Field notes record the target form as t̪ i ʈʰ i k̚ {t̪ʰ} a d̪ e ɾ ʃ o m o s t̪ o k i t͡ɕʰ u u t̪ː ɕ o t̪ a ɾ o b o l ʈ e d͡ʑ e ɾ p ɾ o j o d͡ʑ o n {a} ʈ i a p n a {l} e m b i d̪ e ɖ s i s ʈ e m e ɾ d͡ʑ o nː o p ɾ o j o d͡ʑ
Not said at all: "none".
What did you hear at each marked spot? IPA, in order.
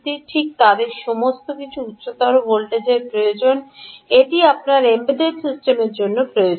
t̪, e, ɾ

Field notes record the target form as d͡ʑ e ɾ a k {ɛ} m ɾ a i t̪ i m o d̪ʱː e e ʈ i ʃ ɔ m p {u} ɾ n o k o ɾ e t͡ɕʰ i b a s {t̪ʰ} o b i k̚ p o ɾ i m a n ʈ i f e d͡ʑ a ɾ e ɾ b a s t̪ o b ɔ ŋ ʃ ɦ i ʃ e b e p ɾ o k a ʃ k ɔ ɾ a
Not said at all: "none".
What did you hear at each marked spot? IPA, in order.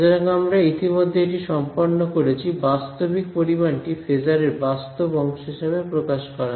a, o, t̪

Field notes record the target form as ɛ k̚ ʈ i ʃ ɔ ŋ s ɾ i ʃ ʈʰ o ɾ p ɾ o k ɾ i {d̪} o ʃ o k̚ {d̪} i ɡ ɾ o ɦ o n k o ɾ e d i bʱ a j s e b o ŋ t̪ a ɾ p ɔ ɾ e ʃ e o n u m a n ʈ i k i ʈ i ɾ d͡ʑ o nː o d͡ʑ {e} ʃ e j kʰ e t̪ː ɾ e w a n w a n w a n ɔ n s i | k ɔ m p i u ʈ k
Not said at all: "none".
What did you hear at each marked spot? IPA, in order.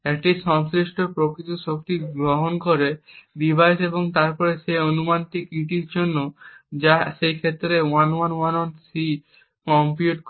t̪, t̪, a

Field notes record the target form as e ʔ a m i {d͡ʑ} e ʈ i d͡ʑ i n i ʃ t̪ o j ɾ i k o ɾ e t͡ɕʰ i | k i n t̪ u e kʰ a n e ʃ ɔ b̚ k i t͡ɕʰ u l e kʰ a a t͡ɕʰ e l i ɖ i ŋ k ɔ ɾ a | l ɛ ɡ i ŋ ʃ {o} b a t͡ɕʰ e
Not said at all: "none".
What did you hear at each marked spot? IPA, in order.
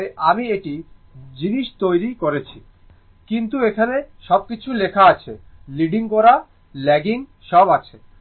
none, ɔ

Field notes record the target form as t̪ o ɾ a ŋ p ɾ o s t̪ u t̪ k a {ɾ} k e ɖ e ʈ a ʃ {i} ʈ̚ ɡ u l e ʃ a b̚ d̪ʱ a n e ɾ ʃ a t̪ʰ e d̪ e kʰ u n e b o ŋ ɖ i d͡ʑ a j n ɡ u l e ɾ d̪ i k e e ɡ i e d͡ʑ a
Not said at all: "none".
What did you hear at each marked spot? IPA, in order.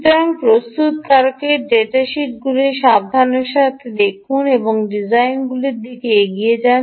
ɾ, i

